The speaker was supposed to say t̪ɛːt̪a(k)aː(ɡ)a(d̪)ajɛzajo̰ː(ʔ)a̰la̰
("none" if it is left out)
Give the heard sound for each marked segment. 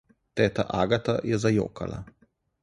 ʔ, ɡ, t̪, k

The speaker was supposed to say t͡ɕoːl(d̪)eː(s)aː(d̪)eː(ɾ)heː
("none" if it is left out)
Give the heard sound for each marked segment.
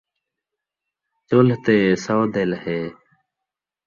t̪, s, d̪, l

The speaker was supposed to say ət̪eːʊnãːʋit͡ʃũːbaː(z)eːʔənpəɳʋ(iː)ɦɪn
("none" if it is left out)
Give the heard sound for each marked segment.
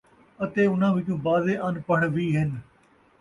z, iː

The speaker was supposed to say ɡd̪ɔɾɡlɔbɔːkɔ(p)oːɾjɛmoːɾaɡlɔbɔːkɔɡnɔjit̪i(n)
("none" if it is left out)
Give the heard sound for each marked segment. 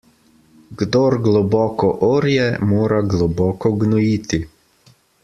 ʔ, none

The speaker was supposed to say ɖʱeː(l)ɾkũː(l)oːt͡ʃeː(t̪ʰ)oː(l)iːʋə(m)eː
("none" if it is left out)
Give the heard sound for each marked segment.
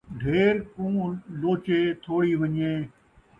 none, l, t̪ʰ, ɽ, ɲ

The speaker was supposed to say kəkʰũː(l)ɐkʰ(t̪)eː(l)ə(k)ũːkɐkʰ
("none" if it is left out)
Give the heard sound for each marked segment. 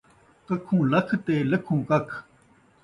l, t̪, l, kʰ

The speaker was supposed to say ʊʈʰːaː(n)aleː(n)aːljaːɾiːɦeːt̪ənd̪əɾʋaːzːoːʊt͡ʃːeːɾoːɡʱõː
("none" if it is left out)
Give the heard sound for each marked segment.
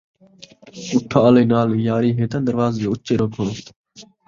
none, n

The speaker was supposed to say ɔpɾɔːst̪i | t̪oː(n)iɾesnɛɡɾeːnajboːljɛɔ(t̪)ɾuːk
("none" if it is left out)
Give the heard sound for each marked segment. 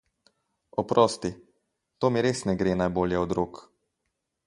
m, d̪

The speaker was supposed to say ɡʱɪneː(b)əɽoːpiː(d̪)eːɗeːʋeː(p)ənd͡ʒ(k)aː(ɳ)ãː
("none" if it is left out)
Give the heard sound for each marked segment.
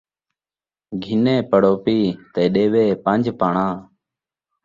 p, t̪, p, p, ɳ

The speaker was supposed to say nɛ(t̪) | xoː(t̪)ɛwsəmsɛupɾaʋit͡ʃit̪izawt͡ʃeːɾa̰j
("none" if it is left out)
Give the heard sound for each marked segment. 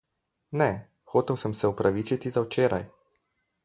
none, t̪

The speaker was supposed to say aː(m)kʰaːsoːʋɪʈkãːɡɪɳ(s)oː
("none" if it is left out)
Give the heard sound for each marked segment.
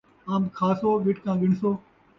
m, s

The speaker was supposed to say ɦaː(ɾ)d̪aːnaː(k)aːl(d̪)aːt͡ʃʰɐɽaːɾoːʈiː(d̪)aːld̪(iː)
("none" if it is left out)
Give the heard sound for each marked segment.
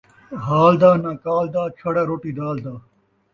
l, k, d̪, d̪, aː

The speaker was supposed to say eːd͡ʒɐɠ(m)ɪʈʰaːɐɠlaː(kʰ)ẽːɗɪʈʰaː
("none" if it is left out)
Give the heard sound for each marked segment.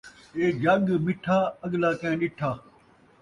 m, k

